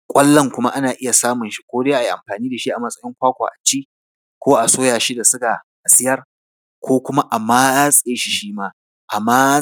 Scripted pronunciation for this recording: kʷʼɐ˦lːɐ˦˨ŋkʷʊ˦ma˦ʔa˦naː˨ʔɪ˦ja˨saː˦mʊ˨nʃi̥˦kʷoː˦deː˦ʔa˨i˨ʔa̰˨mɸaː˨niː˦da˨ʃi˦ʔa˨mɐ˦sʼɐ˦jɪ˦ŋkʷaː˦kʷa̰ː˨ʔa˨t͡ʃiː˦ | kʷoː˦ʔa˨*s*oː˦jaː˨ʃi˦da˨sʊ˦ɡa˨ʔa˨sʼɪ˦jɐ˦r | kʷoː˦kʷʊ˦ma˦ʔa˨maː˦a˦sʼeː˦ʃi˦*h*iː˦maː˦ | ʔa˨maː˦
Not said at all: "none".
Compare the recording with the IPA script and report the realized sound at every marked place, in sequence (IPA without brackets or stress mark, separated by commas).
s, ʃ